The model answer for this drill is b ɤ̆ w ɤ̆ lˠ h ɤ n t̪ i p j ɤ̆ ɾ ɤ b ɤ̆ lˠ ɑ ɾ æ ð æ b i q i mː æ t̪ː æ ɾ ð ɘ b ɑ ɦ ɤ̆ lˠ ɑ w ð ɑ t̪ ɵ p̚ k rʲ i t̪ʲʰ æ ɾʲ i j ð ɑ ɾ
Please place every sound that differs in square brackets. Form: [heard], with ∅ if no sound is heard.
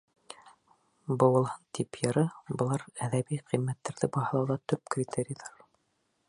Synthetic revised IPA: b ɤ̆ w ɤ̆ lˠ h ɤ n t̪ i p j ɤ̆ ɾ ɤ b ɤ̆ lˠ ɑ ɾ æ ð æ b i q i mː æ t̪ː æ ɾ ð ɘ b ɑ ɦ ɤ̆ lˠ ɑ w ð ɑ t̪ ɵ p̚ k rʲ i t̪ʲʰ [e] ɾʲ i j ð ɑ ɾ